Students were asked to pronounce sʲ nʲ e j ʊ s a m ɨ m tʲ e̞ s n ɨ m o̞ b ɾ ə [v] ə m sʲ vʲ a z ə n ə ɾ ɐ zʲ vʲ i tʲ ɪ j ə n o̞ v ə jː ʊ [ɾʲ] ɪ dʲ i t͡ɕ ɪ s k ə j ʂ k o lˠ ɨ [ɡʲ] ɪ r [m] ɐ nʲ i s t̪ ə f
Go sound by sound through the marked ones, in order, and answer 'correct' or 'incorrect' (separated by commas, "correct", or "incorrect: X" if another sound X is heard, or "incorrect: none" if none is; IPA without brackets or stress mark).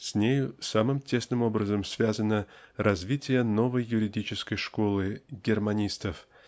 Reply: incorrect: z, correct, correct, correct